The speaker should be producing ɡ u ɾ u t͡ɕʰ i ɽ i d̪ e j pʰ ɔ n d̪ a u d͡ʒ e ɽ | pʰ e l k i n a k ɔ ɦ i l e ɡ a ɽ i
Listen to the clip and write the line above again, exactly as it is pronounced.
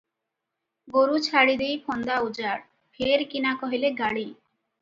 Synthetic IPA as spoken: ɡ o ɾ u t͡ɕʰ a ɽ i d̪ e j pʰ ɔ n d̪ a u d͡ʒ a ɽ | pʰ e ɾ k i n a k ɔ ɦ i l e ɡ a ɽ i

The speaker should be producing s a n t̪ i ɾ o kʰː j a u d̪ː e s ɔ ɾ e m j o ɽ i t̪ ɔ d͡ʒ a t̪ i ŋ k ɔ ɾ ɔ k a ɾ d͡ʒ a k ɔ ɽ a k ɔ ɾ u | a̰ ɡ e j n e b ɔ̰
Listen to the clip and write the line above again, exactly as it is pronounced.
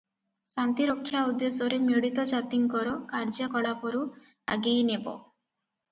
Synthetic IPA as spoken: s a n t̪ i ɾ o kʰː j a u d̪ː e s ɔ ɾ e m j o ɽ i t̪ ɔ d͡ʒ a t̪ i ŋ k ɔ ɾ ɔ k a ɾ d͡ʒ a k ɔ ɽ a p ɔ ɾ u | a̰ ɡ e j n e b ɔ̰

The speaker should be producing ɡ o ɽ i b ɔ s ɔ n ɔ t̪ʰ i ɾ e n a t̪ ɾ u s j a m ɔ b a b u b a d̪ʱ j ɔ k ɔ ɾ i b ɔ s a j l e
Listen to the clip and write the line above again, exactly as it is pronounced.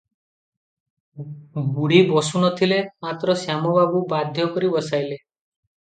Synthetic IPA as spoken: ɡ u ɽ i b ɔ s u n ɔ t̪ʰ i l e m a t̪ ɾ ɔ s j a m ɔ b a b u b a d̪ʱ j ɔ k ɔ ɾ i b ɔ s a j l e

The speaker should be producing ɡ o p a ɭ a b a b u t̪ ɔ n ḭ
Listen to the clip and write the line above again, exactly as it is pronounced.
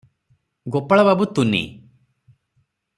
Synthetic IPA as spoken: ɡ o p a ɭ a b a b u t̪ u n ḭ

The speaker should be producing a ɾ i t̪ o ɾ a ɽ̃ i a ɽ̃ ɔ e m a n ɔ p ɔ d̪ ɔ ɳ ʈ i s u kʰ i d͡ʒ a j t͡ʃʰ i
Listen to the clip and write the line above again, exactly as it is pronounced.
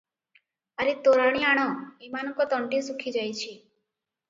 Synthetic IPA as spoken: a ɾ i t̪ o ɾ a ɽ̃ i a ɽ̃ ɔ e m a n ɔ k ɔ t̪ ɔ ɳ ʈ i s u kʰ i d͡ʒ a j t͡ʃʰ i

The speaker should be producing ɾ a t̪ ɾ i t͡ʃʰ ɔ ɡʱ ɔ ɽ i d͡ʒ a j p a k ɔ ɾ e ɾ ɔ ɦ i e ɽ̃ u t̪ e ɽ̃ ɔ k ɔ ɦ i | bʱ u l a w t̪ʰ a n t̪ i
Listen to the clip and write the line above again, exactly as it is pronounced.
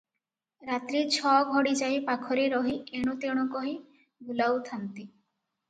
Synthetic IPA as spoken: ɾ a t̪ ɾ i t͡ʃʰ ɔ ɡʱ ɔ ɽ i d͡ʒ a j p a kʰ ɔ ɾ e ɾ ɔ ɦ i e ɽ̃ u t̪ e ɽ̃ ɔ k ɔ ɦ i | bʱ u l a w t̪ʰ a n t̪ i

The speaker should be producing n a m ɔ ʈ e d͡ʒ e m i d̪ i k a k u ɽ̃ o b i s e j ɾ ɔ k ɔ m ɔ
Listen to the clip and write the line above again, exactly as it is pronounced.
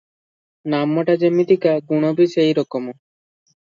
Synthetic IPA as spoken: n a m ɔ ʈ a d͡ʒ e m i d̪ i k a ɡ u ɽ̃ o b i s e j ɾ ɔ k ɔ m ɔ

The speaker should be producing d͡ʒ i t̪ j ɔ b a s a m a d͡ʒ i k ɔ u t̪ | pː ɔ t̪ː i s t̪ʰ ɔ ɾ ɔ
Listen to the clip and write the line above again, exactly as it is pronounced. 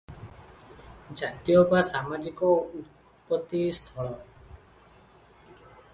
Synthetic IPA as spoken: d͡ʒ a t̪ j ɔ b a s a m a d͡ʒ i k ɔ u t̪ | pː ɔ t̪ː i s t̪ʰ ɔ ɭ ɔ

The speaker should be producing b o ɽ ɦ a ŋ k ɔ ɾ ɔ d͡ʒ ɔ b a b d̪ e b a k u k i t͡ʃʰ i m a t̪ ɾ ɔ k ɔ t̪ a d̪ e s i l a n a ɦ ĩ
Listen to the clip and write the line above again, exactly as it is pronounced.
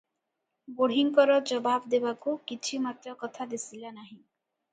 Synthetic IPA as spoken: b o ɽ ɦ i ŋ k ɔ ɾ ɔ d͡ʒ ɔ b a b d̪ e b a k u k i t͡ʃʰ i m a t̪ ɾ ɔ k ɔ t̪ʰ a d̪ e s i l a n a ɦ ĩ

